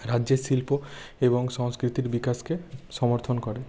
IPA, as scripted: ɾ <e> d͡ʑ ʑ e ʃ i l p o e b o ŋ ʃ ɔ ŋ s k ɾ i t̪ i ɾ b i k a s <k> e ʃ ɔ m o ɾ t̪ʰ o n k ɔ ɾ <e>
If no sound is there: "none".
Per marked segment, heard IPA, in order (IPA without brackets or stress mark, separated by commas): a, k, e